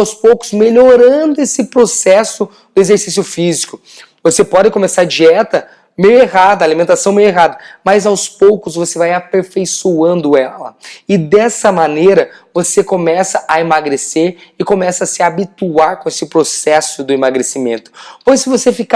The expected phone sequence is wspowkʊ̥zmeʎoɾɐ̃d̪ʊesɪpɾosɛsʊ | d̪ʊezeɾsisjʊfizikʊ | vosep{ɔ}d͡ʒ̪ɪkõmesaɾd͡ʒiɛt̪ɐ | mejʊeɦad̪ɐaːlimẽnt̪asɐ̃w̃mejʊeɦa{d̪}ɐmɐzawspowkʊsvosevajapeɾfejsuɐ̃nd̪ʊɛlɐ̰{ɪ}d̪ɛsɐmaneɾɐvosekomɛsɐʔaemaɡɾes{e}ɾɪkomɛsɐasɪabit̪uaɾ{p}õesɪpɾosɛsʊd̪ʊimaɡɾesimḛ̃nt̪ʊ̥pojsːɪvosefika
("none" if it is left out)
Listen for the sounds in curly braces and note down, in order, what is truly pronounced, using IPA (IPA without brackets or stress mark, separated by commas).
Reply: ɔ, d̪, ɪ, e, k